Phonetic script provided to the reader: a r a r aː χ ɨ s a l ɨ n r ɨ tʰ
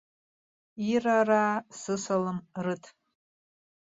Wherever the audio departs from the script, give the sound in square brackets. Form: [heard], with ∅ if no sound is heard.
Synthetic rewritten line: [i] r a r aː [s] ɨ s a l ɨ [m] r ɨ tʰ

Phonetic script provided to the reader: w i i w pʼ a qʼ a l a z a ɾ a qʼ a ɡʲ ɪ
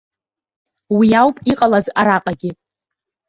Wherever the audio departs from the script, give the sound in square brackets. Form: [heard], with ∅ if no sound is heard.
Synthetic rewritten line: w i [a] w pʼ [i] qʼ a l a z a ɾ a qʼ a ɡʲ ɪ

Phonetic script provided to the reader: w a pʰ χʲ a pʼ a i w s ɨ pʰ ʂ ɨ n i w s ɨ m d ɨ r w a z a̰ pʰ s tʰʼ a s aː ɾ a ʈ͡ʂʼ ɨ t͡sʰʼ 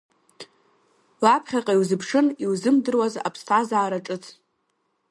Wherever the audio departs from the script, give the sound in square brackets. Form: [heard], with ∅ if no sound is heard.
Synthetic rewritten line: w a pʰ χʲ a [qʼ] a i w [z] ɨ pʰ ʂ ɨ n i w [z] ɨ m d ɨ r w a z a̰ pʰ s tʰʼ a [z] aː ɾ a ʈ͡ʂʼ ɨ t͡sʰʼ

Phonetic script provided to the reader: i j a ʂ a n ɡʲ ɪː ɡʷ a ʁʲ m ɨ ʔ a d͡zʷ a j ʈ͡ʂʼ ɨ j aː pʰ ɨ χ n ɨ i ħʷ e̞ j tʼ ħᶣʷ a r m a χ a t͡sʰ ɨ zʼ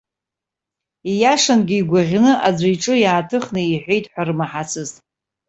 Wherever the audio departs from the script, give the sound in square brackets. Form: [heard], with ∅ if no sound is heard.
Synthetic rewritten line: i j a ʂ a n ɡʲ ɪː ɡʷ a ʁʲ [n] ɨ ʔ a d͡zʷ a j ʈ͡ʂʼ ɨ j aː [tʰ] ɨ χ n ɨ i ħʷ e̞ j tʼ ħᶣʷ a r m a [ħ] a t͡sʰ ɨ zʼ

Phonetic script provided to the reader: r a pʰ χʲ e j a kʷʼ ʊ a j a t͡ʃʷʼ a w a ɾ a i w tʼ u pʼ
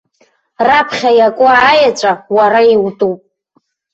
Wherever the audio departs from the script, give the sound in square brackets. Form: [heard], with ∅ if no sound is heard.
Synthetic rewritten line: r a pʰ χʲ [a] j a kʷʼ ʊ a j a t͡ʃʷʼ a w a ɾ a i w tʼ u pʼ

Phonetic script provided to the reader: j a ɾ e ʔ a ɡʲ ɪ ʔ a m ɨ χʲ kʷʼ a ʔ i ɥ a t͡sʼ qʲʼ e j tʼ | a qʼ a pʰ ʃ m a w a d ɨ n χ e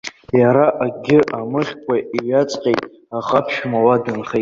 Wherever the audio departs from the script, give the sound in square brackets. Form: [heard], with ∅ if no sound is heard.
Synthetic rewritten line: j a ɾ [a] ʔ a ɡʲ ɪ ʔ a m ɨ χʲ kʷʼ a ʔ i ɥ a t͡sʼ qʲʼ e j tʼ | a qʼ a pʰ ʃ m a w a d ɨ n χ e

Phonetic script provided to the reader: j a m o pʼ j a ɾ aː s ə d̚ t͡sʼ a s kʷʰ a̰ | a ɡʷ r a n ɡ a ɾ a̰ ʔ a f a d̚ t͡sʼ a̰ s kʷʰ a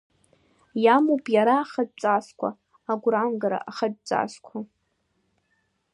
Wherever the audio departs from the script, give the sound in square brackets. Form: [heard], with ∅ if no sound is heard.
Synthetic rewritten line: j a m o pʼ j a ɾ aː [χ] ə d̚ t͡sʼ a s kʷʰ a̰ | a ɡʷ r a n ɡ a ɾ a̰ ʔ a [χ] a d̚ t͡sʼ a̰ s kʷʰ a

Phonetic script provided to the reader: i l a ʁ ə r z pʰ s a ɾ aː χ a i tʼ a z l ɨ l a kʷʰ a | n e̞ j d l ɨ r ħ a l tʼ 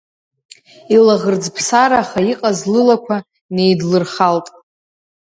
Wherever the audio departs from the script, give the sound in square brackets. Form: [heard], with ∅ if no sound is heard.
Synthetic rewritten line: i l a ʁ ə r [d͡z] pʰ s a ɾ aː χ a i [qʼ] a z l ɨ l a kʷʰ a | n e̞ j d l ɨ r [χ] a l tʼ

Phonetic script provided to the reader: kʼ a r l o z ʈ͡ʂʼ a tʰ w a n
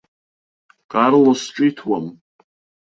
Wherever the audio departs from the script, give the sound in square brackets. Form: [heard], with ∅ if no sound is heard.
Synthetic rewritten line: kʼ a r l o [s] ʈ͡ʂʼ [i] tʰ w a [m]

